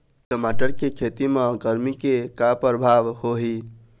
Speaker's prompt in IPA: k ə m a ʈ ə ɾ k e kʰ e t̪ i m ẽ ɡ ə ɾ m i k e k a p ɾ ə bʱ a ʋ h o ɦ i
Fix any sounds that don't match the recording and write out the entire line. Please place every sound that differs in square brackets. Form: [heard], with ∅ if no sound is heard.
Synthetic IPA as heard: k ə m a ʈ ə ɾ k e kʰ e t̪ i m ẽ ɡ ə ɾ m i k e k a p ɾ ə bʱ a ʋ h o ɦ i